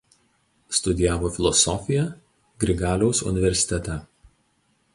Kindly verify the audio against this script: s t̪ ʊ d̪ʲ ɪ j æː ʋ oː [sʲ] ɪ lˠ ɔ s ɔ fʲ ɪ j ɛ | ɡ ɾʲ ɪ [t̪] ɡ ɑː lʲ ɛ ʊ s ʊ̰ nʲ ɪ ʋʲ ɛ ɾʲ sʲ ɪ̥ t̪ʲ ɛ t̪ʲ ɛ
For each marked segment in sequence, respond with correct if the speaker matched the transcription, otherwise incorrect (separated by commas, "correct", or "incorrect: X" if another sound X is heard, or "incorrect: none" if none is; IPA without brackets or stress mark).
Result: incorrect: fʲ, incorrect: none